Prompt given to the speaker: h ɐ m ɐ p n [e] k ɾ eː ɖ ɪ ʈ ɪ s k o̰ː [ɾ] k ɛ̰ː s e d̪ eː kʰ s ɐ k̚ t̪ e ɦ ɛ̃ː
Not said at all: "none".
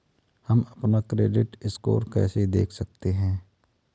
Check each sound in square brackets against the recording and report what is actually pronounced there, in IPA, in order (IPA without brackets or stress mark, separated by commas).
a, ɾ